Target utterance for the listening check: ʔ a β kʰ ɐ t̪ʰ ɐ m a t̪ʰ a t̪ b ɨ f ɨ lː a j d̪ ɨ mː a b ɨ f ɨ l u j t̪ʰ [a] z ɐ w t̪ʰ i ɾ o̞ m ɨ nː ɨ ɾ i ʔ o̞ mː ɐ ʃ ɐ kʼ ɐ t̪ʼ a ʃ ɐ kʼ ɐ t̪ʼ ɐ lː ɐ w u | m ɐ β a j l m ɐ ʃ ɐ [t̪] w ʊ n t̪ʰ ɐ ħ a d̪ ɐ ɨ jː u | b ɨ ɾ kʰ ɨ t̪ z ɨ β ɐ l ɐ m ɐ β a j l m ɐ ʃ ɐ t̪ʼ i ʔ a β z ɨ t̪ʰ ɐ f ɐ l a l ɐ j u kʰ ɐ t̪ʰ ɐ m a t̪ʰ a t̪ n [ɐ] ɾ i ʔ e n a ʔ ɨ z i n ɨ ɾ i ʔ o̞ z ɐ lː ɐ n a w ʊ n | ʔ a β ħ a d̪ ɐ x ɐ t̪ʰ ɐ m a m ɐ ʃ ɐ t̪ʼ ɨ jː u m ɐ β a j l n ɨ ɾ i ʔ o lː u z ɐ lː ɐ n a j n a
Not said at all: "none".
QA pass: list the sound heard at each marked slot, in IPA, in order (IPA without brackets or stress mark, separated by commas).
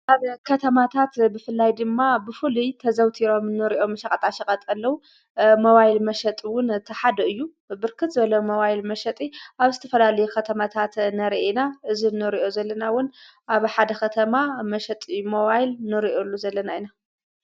ɐ, t̪ʼ, ɐ